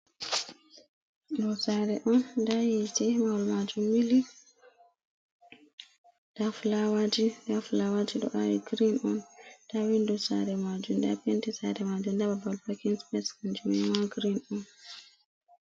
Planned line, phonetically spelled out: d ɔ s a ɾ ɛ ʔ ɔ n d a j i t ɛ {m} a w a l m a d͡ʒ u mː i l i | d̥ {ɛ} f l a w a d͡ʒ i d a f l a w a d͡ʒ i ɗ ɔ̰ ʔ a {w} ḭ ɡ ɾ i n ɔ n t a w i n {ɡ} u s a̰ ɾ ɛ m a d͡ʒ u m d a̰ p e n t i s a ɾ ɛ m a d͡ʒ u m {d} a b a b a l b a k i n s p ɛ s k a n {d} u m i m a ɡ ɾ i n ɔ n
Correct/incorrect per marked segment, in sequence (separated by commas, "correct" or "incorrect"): correct, incorrect, correct, incorrect, correct, incorrect